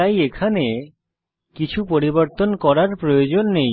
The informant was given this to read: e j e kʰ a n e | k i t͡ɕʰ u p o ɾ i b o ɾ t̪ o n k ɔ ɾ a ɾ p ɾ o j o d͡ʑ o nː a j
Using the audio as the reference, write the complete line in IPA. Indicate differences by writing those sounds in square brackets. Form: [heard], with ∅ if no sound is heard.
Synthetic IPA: [a] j e kʰ a n e | k i t͡ɕʰ u p o ɾ i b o ɾ t̪ o n k ɔ ɾ a ɾ p ɾ o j o d͡ʑ o nː [e] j